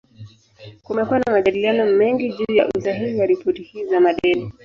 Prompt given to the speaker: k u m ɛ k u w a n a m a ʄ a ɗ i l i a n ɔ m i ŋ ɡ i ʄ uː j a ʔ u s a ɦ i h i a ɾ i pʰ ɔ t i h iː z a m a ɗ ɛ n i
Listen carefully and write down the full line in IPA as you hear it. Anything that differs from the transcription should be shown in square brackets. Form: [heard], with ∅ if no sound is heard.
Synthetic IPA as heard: k u m ɛ k u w a n a m a ʄ a ɗ i l i a n ɔ m [ɛ] ŋ ɡ i ʄ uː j a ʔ u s a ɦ i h i a ɾ i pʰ ɔ t i h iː z a m a ɗ ɛ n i